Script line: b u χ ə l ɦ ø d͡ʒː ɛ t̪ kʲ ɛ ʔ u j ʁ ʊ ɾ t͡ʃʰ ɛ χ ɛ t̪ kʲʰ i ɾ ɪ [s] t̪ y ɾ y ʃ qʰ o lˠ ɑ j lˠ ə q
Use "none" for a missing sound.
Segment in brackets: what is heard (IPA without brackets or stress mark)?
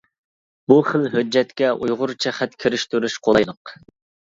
ʃ